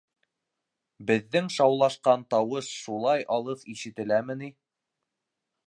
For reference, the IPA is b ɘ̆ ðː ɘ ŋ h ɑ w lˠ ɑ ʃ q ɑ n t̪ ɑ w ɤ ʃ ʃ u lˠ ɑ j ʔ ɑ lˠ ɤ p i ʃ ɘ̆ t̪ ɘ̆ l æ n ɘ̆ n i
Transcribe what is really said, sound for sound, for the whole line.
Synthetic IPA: b ɘ̆ ðː ɘ ŋ ʃ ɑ w lˠ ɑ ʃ q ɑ n t̪ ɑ w ɤ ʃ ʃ u lˠ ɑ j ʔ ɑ lˠ ɤ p i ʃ ɘ̆ t̪ ɘ̆ l æ m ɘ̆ n i